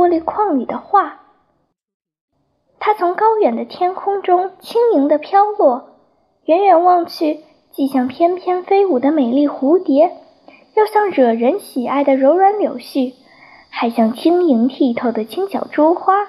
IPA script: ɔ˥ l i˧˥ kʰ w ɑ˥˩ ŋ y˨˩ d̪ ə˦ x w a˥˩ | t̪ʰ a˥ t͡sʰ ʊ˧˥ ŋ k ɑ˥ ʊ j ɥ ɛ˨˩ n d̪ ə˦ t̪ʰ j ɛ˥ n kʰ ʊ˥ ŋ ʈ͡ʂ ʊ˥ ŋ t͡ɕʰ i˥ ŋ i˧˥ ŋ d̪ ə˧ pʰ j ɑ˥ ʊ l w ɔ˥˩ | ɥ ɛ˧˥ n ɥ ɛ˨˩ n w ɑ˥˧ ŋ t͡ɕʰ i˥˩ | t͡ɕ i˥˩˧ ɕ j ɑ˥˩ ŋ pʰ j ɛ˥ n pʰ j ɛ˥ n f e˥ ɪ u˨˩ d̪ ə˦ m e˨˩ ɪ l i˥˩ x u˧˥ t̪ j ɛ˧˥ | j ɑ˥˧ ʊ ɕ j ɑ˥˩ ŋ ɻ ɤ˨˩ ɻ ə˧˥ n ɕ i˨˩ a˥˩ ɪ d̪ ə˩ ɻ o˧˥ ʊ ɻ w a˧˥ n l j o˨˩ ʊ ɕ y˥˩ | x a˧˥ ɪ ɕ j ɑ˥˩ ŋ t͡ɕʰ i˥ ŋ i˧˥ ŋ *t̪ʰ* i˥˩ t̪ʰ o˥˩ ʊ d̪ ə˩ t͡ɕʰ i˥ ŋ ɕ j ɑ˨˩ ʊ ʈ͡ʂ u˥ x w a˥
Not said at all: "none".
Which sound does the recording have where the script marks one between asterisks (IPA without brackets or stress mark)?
t̪ʰ